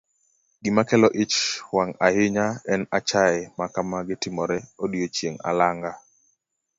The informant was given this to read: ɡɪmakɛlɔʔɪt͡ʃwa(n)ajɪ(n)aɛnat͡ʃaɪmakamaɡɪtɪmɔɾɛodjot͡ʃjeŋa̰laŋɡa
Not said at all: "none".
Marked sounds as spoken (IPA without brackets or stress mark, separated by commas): ŋ, ɲ